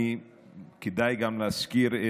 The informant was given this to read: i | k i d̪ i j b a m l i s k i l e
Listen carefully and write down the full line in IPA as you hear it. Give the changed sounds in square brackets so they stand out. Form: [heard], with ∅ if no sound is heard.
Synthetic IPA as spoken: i | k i d̪ [a] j [ɡ] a m l [a] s k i [ɾ] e